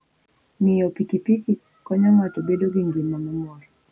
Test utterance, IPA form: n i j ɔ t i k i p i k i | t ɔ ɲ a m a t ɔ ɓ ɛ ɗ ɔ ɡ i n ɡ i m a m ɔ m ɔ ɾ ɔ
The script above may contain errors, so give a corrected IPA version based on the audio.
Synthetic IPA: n i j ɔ p i k i p i k i | k ɔ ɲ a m a t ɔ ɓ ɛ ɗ ɔ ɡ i ŋ ɡ i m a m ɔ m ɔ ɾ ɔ